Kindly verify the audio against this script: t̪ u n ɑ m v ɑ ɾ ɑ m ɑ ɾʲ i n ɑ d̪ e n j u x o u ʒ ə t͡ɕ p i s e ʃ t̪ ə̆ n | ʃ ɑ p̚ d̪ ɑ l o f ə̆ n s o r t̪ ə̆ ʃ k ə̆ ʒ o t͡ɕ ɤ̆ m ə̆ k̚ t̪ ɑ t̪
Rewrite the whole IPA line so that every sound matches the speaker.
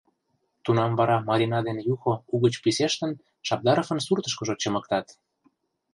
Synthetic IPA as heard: t̪ u n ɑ m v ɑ ɾ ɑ m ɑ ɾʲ i n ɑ d̪ e n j u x o u ɣ ə t͡ɕ p i s e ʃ t̪ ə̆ n | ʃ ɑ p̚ d̪ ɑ ɾ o f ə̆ n s u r t̪ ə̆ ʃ k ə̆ ʒ o t͡ɕ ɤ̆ m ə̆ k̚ t̪ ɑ t̪

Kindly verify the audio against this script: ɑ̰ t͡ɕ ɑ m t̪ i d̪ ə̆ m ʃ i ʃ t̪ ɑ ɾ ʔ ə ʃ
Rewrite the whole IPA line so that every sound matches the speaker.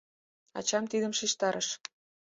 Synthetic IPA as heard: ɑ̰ t͡ɕ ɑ m t̪ i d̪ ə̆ m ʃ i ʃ t̪ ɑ ɾ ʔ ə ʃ

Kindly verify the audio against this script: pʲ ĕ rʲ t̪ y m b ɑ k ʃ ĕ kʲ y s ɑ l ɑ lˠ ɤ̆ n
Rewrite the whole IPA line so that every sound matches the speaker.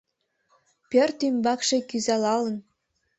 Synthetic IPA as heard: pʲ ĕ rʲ t̪ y m b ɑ k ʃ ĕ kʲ y z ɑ l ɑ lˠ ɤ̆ n

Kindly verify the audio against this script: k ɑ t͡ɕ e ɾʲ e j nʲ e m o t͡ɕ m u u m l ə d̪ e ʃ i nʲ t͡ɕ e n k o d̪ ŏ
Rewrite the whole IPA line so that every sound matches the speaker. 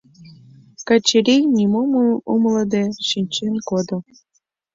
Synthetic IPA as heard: k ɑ t͡ɕ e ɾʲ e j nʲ i m o m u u m l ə d̪ e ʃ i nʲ t͡ɕ e n k o d̪ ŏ

